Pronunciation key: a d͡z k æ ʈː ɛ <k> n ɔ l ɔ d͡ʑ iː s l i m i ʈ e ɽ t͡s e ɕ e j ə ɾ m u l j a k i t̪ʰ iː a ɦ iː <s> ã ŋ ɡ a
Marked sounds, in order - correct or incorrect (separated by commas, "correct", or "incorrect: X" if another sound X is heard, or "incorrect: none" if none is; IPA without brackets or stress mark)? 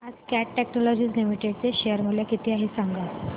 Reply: correct, correct